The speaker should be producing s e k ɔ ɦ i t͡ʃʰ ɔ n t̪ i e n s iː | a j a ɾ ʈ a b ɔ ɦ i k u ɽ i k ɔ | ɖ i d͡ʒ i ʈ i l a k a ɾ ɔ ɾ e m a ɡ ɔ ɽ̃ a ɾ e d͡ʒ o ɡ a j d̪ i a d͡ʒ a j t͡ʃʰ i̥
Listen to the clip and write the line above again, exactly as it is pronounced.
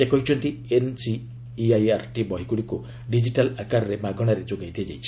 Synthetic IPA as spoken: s e k ɔ ɦ i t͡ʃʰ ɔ n t̪ i e n s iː | a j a ɾ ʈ i b ɔ ɦ i k u ɽ i k u | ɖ i d͡ʒ i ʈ a l a k a ɾ ɔ ɾ e m a ɡ ɔ ɽ̃ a ɾ e d͡ʒ o ɡ a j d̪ i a d͡ʒ a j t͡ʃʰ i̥

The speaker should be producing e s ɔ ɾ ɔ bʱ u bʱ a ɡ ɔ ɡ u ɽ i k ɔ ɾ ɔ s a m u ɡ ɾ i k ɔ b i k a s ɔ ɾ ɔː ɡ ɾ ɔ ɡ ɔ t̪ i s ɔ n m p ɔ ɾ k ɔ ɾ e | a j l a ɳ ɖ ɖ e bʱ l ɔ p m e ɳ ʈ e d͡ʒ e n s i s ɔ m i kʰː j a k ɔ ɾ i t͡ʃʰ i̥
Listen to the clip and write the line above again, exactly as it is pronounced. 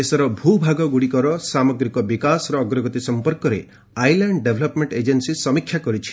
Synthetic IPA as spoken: e s ɔ ɾ ɔ bʱ u bʱ a ɡ ɔ ɡ u ɽ i k ɔ ɾ ɔ s a m ɔ ɡ ɾ i k ɔ b i k a s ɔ ɾ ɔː ɡ ɾ ɔ ɡ ɔ t̪ i s ɔ m p ɔ ɾ k ɔ ɾ e | a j l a ɳ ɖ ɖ e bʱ l ɔ p m e ɳ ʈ e d͡ʒ e n s i s ɔ m i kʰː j a k ɔ ɾ i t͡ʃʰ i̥

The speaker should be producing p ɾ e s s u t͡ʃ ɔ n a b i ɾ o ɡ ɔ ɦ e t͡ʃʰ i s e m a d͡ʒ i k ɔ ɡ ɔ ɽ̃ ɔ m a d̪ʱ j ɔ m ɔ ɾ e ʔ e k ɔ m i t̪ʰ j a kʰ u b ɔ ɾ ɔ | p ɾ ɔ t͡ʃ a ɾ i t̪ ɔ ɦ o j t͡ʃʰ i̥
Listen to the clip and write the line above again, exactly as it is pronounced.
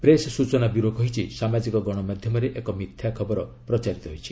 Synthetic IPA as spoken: p ɾ e s s u t͡ʃ ɔ n a b i ɾ o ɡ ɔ ɦ i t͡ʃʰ i s a m a d͡ʒ i k ɔ ɡ ɔ ɽ̃ ɔ m a d̪ʱ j ɔ m ɔ ɾ e ʔ e k ɔ m i t̪ʰ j a kʰ ɔ b ɔ ɾ ɔ | p ɾ ɔ t͡ʃ a ɾ i t̪ ɔ ɦ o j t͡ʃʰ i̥

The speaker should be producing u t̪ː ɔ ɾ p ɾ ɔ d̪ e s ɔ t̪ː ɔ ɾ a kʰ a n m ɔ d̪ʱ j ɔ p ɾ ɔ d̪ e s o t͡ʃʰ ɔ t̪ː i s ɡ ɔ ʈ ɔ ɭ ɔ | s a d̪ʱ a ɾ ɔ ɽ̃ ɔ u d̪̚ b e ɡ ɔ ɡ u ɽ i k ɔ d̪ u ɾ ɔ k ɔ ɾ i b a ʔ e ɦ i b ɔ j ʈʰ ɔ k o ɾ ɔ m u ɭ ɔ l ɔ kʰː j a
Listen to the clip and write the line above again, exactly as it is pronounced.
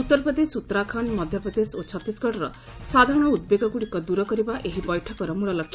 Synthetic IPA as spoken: u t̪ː ɔ ɾ p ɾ ɔ d̪ e s u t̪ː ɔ ɾ a kʰ a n m ɔ d̪ʱ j ɔ p ɾ ɔ d̪ e s o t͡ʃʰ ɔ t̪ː i s ɡ ɔ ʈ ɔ ɾ ɔ | s a d̪ʱ a ɾ ɔ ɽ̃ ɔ u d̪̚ b e ɡ ɔ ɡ u ɽ i k ɔ d̪ u ɾ ɔ k ɔ ɾ i b a ʔ e ɦ i b ɔ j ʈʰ ɔ k ɔ ɾ ɔ m u ɭ ɔ l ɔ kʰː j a

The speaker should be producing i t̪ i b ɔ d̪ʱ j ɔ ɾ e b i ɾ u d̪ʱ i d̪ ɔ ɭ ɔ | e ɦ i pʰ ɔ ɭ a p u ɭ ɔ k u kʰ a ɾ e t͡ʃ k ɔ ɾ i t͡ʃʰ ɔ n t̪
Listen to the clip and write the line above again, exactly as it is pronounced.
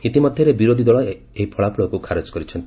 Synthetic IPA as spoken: i t̪ i m ɔ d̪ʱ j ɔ ɾ e b i ɾ o d̪ʱ i d̪ ɔ ɭ ɔ | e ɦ i pʰ ɔ ɭ a p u ɭ ɔ k u kʰ a ɾ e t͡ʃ k ɔ ɾ i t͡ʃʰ ɔ n t̪

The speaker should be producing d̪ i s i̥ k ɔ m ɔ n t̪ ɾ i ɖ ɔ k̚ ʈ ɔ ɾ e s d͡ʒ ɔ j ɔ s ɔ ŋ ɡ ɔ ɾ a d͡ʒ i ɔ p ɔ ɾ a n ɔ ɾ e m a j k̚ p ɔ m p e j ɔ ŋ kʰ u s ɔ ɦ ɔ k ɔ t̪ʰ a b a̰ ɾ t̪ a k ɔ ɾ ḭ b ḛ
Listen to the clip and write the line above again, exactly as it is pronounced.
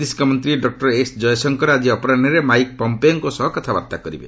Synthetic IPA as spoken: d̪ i s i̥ k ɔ m ɔ n t̪ ɾ i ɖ ɔ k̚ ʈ ɔ ɾ e s d͡ʒ ɔ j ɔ s ɔ ŋ k ɔ ɾ a d͡ʒ i ɔ p ɔ ɾ a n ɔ ɾ e m a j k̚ p ɔ m p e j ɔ ŋ k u s ɔ ɦ ɔ k ɔ t̪ʰ a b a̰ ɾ t̪ a k ɔ ɾ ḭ b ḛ

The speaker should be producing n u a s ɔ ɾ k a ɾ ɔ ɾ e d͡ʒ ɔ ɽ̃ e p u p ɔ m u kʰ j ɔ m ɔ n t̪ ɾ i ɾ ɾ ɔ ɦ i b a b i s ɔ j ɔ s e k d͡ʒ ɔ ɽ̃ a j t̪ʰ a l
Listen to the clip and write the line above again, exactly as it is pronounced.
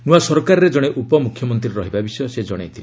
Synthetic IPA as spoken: n u a s ɔ ɾ k a ɾ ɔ ɾ e d͡ʒ ɔ ɽ̃ e ʔ u p ɔ m u kʰ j ɔ m ɔ n t̪ ɾ i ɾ ɾ ɔ ɦ i b a b i s ɔ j ɔ s e d͡ʒ ɔ ɽ̃ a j t̪ʰ i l

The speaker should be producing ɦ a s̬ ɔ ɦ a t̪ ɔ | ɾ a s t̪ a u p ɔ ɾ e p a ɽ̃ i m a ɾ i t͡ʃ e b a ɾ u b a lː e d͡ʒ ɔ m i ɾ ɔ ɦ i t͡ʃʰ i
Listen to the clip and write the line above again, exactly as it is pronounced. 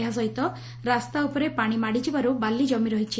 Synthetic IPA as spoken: ɦ a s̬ ɔ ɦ i t̪ ɔ | ɾ a s t̪ a u p ɔ ɾ e p a ɽ̃ i m a ɽ i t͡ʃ i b a ɾ u b a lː i d͡ʒ ɔ m i ɾ ɔ ɦ i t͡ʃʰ i

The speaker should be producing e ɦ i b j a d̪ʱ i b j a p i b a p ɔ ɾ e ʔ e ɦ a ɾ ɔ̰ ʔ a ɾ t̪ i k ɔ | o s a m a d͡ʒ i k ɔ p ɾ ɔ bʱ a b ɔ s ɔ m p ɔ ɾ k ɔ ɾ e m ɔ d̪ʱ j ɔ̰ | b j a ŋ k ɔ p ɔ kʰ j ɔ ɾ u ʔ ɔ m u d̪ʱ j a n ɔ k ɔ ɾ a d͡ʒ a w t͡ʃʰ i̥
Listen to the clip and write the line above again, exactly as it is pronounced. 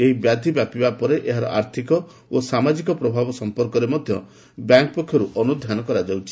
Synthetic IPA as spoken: e ɦ i b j a d̪ʱ i b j a p i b a p ɔ ɾ e ʔ e ɦ a ɾ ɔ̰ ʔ a ɾ t̪ʰ i k ɔ | o s a m a d͡ʒ i k ɔ p ɾ ɔ bʱ a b ɔ s ɔ m p ɔ ɾ k ɔ ɾ e m ɔ d̪ʱ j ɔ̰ | b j a ŋ k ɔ p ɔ kʰ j ɔ ɾ u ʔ ɔ n u d̪ʱ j a n ɔ k ɔ ɾ a d͡ʒ a w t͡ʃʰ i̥

